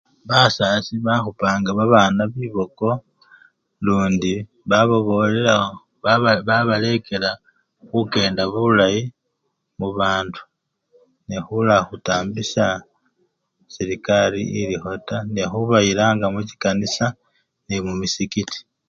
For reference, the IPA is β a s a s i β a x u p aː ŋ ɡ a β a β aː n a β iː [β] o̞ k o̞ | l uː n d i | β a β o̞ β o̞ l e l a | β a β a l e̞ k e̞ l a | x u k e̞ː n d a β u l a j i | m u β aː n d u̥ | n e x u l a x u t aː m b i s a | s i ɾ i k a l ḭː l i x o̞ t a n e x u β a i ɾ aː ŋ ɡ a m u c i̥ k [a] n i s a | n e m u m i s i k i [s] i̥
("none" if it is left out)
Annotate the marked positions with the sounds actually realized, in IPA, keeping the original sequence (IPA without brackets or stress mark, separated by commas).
β, a, t